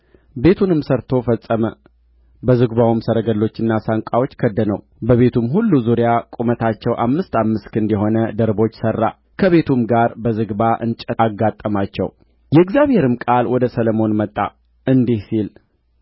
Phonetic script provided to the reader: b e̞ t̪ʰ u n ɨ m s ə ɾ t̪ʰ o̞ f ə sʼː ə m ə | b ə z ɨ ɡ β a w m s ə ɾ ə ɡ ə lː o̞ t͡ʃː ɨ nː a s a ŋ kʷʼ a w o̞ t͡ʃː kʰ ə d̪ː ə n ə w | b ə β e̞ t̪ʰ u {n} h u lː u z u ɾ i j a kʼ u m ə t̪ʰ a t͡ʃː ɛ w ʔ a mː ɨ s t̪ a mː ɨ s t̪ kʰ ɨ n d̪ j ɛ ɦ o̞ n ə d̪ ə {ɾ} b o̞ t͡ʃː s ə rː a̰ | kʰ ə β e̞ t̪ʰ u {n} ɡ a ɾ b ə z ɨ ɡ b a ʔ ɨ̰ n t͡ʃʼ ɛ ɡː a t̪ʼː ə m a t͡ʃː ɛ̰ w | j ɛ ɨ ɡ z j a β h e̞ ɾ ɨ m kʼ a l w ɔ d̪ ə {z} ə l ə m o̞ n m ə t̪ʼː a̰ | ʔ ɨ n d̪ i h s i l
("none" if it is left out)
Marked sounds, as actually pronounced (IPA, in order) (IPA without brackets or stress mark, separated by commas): m, ɾ, m, s